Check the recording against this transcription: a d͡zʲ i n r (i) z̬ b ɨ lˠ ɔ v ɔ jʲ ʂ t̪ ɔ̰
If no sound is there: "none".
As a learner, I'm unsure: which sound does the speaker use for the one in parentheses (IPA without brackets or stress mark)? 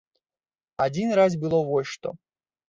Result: a